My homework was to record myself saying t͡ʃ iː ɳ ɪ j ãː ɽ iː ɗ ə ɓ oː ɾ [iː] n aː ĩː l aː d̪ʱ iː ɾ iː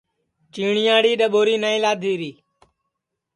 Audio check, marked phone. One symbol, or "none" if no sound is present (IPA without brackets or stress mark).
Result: iː